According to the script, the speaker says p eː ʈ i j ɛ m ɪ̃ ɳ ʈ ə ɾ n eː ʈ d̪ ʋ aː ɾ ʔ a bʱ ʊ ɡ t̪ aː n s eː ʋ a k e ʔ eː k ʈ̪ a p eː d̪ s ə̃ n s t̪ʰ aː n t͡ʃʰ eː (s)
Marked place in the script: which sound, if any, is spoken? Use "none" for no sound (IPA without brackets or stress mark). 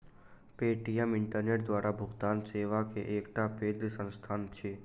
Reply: none